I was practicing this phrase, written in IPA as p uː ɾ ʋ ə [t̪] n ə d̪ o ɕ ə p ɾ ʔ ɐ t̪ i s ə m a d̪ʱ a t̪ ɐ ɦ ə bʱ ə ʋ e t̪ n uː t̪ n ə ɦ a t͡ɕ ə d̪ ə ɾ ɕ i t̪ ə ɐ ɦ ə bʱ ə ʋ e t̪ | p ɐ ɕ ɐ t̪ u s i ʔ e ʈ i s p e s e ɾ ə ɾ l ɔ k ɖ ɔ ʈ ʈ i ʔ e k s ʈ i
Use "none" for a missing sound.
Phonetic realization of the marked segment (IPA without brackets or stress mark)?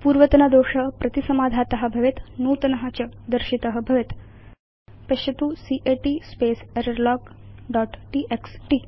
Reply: t̪